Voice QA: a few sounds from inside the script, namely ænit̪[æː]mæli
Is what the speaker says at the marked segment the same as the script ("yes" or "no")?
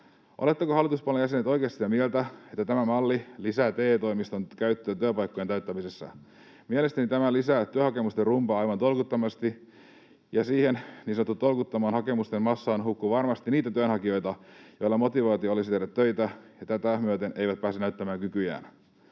no